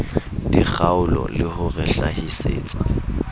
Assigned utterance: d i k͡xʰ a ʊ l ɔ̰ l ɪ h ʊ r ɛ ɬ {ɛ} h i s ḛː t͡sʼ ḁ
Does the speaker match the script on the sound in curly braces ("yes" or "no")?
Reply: no